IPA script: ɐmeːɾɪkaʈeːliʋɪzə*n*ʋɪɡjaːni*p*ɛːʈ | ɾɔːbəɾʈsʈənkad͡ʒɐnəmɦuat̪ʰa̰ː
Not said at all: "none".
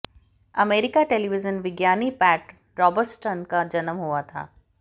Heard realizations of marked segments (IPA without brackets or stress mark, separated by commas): n, p